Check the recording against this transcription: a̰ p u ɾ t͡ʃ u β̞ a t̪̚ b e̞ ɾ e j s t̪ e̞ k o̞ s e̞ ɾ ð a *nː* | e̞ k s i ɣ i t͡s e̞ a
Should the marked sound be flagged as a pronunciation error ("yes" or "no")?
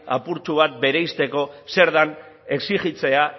yes